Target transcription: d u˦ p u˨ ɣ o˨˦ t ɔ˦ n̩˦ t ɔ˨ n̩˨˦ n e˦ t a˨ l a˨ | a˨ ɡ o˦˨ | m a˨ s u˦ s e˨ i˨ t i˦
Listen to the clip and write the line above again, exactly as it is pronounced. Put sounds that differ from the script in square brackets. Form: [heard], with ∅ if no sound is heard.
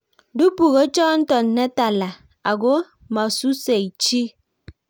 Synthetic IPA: d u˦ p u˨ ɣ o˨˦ [t͡ʃ] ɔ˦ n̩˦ t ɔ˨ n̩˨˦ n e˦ t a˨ l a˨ | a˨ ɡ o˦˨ | m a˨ s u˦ s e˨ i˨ [t͡ʃ] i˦